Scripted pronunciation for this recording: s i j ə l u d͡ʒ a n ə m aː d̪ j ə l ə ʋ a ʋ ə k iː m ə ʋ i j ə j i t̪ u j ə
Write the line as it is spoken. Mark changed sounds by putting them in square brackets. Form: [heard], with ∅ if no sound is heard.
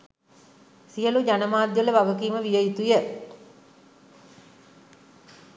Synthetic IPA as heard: s i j ə l u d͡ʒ a n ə m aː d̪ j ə l ə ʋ a ʋ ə k iː m ə ʋ i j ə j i t̪ u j ə